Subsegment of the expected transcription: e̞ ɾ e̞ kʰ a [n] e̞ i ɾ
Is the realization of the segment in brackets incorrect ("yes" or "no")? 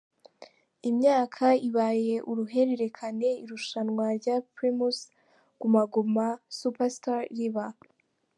no